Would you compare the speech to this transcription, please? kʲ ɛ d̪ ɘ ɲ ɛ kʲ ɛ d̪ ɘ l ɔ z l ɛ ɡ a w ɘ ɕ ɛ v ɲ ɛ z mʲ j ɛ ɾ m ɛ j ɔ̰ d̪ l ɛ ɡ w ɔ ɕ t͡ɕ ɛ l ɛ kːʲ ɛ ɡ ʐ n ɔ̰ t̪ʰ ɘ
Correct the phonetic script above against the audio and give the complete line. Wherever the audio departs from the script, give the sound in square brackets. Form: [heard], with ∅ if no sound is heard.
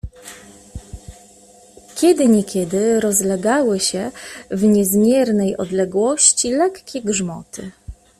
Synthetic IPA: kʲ ɛ d̪ ɘ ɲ ɛ kʲ ɛ d̪ ɘ [ɾ] ɔ z l ɛ ɡ a w ɘ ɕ ɛ v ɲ ɛ z mʲ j ɛ ɾ [n] ɛ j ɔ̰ d̪ l ɛ ɡ w ɔ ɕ t͡ɕ [i] l ɛ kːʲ ɛ ɡ ʐ [m] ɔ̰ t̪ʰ ɘ